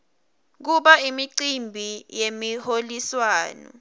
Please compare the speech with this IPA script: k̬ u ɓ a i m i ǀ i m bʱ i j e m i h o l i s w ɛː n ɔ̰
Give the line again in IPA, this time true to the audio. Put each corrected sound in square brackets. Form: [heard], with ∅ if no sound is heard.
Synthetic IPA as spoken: k̬ u ɓ a i m i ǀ i m bʱ i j e m i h o l i s w [aː] n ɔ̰